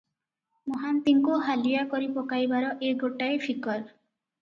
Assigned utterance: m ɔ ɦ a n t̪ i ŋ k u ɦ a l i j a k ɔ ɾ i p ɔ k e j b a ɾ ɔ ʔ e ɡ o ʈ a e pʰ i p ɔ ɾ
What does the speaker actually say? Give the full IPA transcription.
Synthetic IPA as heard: m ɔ ɦ a n t̪ i ŋ k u ɦ a l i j a k ɔ ɾ i p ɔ k a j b a ɾ ɔ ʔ e ɡ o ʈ a e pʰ i k ɔ ɾ